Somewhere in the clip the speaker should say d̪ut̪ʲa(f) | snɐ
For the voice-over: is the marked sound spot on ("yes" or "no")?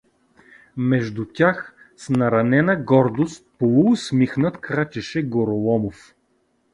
no